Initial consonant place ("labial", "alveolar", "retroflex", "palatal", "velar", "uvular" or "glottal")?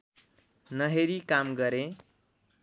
alveolar